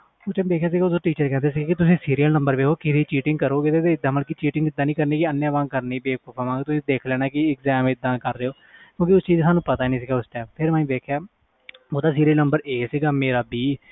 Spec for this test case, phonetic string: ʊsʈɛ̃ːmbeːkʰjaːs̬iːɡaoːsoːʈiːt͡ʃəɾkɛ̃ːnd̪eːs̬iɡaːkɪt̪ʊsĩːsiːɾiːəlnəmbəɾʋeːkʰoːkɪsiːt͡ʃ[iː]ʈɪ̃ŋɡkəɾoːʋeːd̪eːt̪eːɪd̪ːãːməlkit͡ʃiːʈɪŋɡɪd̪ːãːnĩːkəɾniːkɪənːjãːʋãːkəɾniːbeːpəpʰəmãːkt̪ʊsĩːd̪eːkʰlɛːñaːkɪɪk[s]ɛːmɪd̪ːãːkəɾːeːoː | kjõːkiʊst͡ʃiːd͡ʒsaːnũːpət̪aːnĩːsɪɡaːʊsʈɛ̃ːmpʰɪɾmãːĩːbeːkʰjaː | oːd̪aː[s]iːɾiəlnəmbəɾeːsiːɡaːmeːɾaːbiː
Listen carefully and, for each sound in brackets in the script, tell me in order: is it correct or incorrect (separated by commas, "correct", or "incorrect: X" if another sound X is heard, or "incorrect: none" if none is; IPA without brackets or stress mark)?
correct, incorrect: z, correct